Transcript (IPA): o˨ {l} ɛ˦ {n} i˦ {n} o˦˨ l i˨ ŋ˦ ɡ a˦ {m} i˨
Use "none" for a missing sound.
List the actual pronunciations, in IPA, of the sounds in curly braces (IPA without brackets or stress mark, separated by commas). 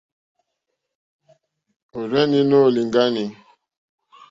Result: ɾ, n, n, n